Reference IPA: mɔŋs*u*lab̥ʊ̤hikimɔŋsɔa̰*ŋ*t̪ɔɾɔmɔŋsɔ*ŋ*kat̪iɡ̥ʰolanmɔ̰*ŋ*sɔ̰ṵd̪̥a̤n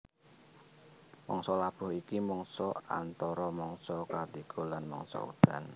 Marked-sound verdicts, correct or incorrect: incorrect, incorrect, incorrect, correct

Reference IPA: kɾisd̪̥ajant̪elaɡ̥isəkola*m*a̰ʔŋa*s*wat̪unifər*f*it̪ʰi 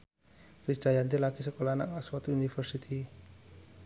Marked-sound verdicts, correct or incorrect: incorrect, correct, incorrect

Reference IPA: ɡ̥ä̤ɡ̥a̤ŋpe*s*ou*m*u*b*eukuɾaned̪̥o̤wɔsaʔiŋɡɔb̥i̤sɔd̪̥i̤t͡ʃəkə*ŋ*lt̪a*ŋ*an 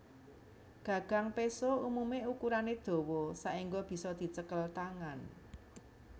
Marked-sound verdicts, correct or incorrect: correct, correct, incorrect, incorrect, correct

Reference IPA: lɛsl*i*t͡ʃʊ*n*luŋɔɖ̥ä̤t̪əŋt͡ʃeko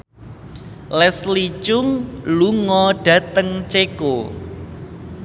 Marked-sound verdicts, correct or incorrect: correct, incorrect

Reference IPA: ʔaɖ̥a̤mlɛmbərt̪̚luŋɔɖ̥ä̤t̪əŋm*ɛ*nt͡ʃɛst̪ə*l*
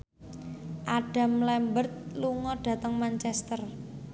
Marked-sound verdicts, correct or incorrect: incorrect, incorrect

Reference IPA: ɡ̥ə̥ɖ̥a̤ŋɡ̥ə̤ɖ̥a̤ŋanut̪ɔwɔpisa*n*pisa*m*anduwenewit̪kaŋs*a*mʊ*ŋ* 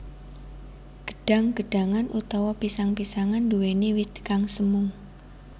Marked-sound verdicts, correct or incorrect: incorrect, incorrect, incorrect, correct

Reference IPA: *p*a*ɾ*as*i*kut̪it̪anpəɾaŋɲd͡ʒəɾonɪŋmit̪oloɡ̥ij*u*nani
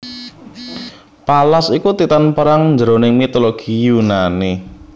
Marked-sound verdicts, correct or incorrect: correct, incorrect, correct, correct

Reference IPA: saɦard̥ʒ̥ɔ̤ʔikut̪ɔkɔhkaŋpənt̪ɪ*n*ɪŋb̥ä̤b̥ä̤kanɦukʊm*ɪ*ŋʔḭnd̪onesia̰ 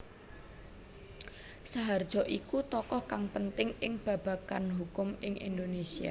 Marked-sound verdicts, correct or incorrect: incorrect, correct

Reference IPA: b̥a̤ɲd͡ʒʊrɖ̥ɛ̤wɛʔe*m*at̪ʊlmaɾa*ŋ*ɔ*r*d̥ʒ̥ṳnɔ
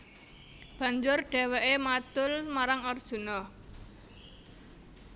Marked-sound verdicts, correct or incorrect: correct, correct, correct

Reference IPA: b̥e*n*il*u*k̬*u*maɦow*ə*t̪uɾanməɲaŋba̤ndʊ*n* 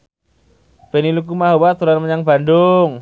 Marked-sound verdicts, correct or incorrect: correct, correct, correct, incorrect, incorrect

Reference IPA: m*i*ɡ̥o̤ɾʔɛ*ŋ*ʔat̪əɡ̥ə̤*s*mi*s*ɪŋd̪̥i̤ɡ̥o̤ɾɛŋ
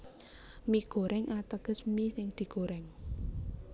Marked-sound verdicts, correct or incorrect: correct, correct, correct, correct

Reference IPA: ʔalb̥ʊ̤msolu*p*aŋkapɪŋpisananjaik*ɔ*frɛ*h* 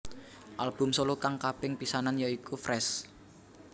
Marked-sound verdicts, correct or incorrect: incorrect, incorrect, incorrect

